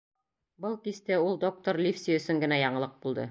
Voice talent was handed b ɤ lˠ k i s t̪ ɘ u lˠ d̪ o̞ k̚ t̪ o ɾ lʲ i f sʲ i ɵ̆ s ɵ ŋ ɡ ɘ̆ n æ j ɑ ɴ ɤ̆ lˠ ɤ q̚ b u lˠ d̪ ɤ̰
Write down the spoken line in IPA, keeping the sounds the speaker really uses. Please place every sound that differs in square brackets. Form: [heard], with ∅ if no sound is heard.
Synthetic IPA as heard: b ɤ lˠ k i s t̪ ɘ u lˠ d̪ o̞ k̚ t̪ o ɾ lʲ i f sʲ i ɵ̆ s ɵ ŋ ɡ ɘ̆ n æ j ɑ ɴ ɤ̆ lˠ ɤ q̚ b u lˠ d̪ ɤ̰